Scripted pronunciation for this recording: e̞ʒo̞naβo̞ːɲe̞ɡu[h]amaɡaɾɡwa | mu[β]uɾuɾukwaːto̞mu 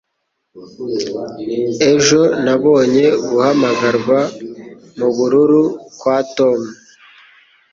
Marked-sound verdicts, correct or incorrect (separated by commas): correct, correct